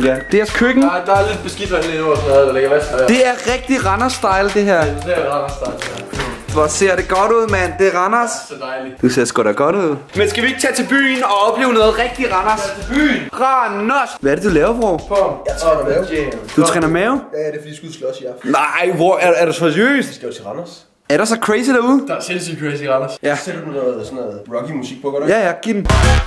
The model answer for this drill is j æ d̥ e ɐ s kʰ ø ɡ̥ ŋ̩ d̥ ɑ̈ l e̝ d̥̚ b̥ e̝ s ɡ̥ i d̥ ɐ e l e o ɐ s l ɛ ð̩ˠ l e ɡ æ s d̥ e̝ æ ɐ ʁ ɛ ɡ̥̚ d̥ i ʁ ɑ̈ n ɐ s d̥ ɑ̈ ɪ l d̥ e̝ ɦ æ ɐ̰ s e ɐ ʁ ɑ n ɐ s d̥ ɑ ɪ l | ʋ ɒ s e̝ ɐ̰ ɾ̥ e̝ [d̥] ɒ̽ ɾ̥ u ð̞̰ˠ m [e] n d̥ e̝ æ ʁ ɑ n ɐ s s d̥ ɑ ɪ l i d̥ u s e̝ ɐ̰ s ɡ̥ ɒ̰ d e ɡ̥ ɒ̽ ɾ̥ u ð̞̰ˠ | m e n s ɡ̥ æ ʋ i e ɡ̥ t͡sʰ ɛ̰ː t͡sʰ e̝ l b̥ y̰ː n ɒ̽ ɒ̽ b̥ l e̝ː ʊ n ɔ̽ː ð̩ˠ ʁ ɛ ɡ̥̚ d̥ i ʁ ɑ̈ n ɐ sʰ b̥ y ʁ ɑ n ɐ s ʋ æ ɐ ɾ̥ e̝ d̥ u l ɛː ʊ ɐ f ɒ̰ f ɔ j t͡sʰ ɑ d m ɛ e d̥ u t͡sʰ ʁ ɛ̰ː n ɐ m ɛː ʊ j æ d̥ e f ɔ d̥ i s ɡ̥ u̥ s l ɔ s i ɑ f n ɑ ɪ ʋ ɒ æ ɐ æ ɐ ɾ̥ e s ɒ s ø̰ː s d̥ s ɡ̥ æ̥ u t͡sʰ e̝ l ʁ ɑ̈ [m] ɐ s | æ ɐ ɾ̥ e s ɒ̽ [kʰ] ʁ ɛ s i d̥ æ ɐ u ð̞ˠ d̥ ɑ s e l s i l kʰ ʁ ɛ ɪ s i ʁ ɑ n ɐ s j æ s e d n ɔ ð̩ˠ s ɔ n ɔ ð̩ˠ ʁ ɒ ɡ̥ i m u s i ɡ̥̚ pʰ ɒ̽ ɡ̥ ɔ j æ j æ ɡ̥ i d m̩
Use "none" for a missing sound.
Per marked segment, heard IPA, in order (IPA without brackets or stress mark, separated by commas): ɡ̥, æ, n, kʰ